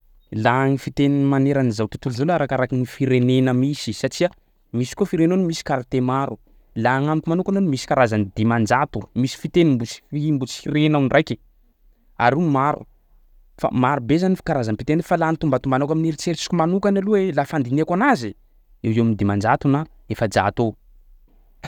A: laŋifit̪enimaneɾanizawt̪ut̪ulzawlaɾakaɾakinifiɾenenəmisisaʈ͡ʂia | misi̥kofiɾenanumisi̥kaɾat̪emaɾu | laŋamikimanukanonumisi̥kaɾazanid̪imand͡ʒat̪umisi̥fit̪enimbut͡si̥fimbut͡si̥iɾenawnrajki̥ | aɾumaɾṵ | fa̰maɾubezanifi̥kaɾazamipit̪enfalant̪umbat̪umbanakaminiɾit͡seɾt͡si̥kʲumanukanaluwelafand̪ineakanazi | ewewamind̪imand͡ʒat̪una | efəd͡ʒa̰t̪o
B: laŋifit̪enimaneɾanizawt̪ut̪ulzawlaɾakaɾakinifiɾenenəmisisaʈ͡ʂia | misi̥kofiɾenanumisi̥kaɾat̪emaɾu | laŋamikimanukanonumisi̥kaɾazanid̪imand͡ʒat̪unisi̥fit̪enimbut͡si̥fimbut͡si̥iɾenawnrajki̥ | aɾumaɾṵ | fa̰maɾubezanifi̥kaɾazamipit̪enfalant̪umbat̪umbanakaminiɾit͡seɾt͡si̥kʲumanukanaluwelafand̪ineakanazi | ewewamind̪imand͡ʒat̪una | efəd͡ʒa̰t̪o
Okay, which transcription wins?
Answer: A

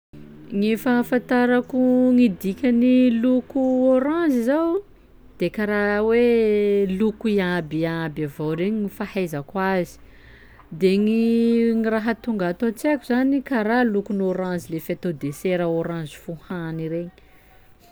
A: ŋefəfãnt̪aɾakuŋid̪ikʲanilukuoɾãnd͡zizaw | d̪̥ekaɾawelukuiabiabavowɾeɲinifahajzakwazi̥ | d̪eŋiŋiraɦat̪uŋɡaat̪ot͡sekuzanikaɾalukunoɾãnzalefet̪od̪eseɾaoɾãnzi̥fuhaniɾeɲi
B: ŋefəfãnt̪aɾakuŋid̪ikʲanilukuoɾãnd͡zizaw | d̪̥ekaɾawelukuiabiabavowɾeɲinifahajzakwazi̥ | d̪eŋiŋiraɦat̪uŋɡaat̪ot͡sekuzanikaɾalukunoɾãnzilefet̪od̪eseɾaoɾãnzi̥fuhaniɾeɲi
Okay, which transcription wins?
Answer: B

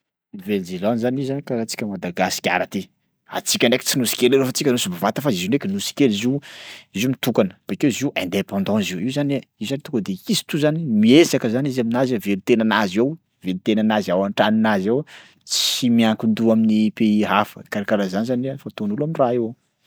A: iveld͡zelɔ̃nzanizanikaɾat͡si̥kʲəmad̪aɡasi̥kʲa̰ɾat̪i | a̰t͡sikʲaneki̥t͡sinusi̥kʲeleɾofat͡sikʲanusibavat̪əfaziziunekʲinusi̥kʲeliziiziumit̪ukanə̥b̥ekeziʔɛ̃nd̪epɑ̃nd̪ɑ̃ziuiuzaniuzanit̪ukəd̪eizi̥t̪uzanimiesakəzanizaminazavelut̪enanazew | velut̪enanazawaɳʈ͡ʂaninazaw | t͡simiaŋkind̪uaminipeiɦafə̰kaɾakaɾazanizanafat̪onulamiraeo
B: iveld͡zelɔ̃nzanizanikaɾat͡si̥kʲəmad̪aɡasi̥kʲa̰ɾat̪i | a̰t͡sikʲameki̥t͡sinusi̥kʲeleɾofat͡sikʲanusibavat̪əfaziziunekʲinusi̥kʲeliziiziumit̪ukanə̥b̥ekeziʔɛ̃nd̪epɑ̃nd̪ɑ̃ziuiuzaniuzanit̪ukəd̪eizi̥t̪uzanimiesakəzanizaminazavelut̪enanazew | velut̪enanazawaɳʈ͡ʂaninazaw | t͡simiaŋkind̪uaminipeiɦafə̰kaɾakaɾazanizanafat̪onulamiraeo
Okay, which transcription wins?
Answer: A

